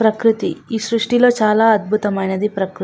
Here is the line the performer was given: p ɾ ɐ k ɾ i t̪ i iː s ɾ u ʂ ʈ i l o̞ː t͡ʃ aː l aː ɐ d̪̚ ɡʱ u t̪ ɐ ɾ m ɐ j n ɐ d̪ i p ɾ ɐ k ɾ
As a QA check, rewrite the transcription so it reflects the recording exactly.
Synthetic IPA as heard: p ɾ ɐ k ɾ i t̪ i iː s ɾ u ʂ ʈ i l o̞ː t͡ʃ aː l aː ɐ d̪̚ bʱ u t̪ ɐ m ɐ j n ɐ d̪ i p ɾ ɐ k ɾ